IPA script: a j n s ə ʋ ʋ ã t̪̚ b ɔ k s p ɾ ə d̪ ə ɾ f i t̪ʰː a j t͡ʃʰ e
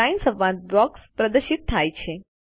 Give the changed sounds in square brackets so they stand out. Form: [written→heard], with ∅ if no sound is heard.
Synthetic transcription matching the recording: a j n s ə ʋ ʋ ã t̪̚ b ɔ k s p ɾ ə d̪ ə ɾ [f→ʃ] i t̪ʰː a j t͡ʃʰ e